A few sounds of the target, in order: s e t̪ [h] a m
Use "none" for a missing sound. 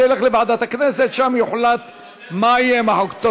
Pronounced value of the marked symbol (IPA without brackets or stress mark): ʃ